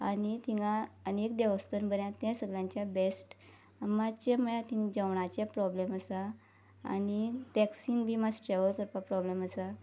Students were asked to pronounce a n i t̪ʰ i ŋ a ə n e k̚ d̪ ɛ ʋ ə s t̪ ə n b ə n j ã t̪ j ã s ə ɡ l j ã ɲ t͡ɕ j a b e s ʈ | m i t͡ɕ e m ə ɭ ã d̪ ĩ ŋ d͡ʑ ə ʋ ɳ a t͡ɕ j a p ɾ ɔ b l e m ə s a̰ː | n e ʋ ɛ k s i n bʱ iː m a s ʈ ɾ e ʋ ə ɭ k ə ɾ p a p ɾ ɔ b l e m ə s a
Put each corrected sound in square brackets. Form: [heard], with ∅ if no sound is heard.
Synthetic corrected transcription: a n i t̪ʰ i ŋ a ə n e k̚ d̪ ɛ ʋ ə s t̪ ə n b ə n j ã t̪ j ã s ə ɡ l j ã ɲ t͡ɕ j a b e s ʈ | m [a] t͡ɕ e m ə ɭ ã [t̪] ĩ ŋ d͡ʑ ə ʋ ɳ a t͡ɕ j a p ɾ ɔ b l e m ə s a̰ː | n [i] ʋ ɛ k s i n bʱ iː m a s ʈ ɾ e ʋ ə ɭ k ə ɾ p a p ɾ ɔ b l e m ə s a

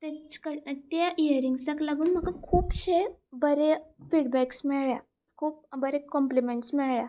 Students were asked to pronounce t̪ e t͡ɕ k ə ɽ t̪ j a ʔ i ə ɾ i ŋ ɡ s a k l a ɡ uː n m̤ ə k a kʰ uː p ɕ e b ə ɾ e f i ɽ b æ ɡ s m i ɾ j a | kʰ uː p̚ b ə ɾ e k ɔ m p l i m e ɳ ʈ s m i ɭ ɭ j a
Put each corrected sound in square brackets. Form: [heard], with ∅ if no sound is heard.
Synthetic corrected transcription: t̪ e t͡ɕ k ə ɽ t̪ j a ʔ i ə ɾ i ŋ ɡ s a k l a ɡ uː n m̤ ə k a kʰ uː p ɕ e b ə ɾ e f i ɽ b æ [k] s m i [ɭ] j a | kʰ uː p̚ b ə ɾ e k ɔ m p l i m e ɳ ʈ s m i ɭ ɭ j a

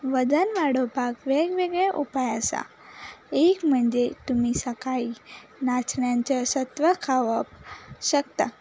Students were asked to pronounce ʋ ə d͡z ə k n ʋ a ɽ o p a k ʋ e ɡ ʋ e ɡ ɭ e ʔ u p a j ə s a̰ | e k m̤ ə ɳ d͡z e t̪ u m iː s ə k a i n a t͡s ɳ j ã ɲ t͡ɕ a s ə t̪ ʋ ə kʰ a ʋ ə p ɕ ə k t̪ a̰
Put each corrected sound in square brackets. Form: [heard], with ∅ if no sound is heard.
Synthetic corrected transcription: ʋ ə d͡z ə [∅] n ʋ a ɽ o p a k ʋ e ɡ ʋ e ɡ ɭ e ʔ u p a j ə s a̰ | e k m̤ ə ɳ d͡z e t̪ u m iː s ə k a i n a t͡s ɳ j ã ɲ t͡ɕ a s ə t̪ ʋ ə kʰ a ʋ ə p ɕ ə k t̪ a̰

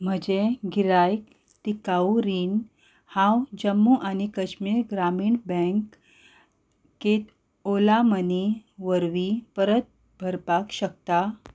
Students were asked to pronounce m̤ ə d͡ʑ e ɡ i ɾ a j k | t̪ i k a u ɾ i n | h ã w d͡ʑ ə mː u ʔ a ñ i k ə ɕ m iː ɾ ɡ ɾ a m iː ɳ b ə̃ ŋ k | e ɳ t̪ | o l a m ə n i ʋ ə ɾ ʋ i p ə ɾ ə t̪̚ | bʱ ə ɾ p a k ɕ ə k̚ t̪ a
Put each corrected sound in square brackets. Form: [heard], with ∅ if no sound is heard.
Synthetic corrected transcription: m̤ ə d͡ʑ e ɡ i ɾ a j k | t̪ i k a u ɾ i n | h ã w d͡ʑ ə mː u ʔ a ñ i k ə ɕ m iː ɾ ɡ ɾ a m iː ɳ b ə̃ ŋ k | e [∅] t̪ | o l a m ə n i ʋ ə ɾ ʋ i p ə ɾ ə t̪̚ | bʱ ə ɾ p a k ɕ ə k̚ t̪ a

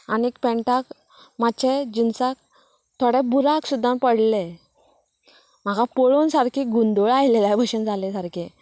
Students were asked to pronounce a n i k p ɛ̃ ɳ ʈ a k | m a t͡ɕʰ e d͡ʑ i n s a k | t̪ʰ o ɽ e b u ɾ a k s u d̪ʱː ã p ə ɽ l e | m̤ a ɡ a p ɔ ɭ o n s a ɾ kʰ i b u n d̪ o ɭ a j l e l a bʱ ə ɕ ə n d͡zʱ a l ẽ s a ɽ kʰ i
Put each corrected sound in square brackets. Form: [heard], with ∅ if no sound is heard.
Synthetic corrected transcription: a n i k p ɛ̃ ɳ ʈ a k | m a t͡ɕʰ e d͡ʑ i n s a k | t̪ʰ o ɽ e b u ɾ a k s u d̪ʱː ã p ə ɽ l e | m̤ a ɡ a p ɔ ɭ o n s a ɾ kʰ i [ɡ] u n d̪ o ɭ a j l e l a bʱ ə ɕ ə n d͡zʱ a l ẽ s a [ɾ] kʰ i

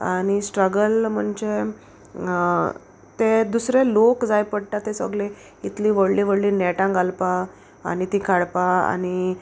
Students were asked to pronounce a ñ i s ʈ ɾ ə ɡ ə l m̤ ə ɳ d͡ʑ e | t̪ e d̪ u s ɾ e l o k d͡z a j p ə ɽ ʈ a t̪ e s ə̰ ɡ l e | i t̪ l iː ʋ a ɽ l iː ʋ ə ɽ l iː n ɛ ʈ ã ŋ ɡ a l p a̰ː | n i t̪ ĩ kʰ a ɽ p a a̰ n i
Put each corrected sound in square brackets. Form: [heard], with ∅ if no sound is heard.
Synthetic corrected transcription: a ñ i s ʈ ɾ ə ɡ ə l m̤ ə ɳ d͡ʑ e | t̪ e d̪ u s ɾ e l o k d͡z a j p ə ɽ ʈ a t̪ e s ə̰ ɡ l e | i t̪ l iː ʋ [ə] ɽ l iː ʋ ə ɽ l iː n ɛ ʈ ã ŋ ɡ a l p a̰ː | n i t̪ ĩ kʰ a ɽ p a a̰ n i

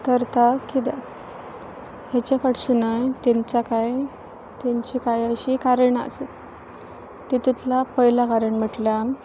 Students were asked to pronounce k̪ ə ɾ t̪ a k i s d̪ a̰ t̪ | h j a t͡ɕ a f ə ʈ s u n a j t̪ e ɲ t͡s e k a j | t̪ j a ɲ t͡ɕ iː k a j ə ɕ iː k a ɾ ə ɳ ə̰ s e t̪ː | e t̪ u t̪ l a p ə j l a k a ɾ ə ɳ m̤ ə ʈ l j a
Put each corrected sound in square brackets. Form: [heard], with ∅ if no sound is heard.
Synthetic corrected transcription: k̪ ə ɾ t̪ a k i [∅] d̪ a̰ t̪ | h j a t͡ɕ a f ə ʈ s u n a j t̪ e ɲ t͡s [a] k a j | t̪ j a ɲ t͡ɕ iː k a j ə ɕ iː k a ɾ ə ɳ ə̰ s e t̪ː | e t̪ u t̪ l a p ə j l a k a ɾ ə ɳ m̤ ə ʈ l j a

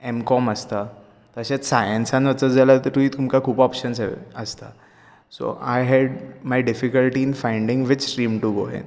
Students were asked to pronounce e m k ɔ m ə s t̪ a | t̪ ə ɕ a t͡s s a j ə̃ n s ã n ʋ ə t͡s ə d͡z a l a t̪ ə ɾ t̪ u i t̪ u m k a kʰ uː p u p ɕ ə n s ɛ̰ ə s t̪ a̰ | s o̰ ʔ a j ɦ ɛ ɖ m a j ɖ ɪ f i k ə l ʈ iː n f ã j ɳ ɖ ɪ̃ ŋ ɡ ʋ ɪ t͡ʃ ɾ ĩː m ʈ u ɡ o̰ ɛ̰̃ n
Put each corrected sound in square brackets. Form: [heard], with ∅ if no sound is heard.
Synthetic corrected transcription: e m k ɔ m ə s t̪ a | t̪ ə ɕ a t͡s s a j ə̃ n s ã n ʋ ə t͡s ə d͡z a l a t̪ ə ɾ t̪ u i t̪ u m k a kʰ uː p [ɔ] p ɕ ə n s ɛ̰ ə s t̪ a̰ | s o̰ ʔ a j ɦ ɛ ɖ m a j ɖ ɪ f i k ə l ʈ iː n f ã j ɳ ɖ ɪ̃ ŋ ɡ ʋ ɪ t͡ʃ ɾ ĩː m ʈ u ɡ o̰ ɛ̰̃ n

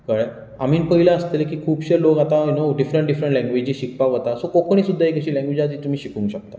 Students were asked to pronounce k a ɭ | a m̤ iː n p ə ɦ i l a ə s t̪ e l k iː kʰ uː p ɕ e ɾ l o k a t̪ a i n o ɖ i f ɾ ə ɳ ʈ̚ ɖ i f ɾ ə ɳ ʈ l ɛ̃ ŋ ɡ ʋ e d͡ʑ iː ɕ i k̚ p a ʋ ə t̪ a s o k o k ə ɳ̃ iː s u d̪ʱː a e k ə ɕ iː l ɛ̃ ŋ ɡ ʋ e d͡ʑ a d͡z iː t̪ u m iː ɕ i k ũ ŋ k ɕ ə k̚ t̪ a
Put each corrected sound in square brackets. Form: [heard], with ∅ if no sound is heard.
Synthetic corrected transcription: k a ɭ | a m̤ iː n p ə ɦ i l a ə s t̪ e l k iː kʰ uː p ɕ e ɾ l o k a t̪ a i n o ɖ i f ɾ ə ɳ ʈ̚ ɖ i f ɾ ə ɳ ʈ l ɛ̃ ŋ ɡ ʋ e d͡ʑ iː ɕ i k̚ p a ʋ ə t̪ a s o k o k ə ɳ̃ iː s u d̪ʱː a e k ə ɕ iː l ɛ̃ ŋ ɡ ʋ e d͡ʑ a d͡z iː t̪ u m iː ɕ i k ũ ŋ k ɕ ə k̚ t̪ a

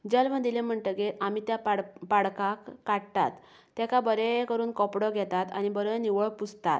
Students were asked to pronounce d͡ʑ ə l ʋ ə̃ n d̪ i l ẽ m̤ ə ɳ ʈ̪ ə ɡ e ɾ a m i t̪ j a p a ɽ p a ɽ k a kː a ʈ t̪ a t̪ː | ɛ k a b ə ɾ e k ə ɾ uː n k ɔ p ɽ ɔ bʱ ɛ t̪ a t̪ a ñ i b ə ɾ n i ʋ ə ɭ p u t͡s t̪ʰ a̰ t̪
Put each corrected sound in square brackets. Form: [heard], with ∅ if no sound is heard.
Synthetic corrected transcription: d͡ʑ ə l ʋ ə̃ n d̪ i l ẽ m̤ ə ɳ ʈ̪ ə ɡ e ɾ a m i t̪ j a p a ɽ p a ɽ k a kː a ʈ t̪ a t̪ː | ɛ k a b ə ɾ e k ə ɾ uː n k ɔ p ɽ ɔ [ɡʱ] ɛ t̪ a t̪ a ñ i b ə ɾ n i ʋ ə ɭ p u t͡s [t̪] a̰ t̪

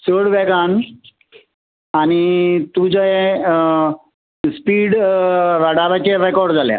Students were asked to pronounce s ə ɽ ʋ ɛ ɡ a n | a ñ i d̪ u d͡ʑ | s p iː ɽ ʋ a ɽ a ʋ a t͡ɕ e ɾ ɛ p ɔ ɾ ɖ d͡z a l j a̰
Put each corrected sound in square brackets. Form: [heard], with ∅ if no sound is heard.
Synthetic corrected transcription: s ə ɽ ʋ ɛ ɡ a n | a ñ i [t̪] u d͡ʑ | s p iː ɽ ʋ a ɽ a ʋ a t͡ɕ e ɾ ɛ [k] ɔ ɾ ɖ d͡z a l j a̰

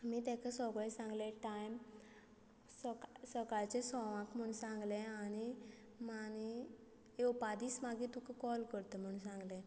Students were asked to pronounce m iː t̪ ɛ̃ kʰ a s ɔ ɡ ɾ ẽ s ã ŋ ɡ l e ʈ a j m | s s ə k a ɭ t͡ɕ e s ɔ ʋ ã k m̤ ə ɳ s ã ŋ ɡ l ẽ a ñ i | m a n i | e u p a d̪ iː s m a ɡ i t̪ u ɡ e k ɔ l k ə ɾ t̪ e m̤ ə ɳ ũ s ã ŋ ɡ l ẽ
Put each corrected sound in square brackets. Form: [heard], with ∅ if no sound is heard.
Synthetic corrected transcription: m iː t̪ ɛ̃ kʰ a s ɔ ɡ [ɭ] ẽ s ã ŋ ɡ l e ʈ a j m | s s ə k a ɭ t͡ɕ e s ɔ ʋ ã k m̤ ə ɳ s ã ŋ ɡ l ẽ a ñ i | m a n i | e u p a d̪ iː s m a ɡ i t̪ u [k] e k ɔ l k ə ɾ t̪ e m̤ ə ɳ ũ s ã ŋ ɡ l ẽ

